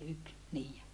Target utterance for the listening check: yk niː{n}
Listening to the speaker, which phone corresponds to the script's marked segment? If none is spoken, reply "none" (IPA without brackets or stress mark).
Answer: none